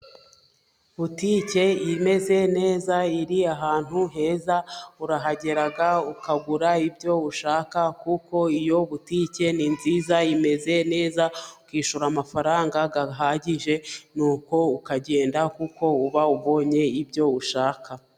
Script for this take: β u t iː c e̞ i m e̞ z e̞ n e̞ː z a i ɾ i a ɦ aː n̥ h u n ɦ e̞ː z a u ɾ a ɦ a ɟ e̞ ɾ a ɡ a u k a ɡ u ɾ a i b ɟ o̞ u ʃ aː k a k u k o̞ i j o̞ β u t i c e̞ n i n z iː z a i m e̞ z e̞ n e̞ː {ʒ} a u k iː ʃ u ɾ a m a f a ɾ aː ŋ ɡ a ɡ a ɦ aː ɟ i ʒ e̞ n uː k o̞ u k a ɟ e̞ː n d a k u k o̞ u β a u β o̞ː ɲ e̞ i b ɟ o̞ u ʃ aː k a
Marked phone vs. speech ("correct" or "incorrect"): incorrect